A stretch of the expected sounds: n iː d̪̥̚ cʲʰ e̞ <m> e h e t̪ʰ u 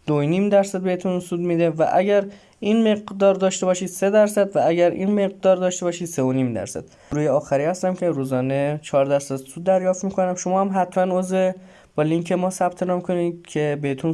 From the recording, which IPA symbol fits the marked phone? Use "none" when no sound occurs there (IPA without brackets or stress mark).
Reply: b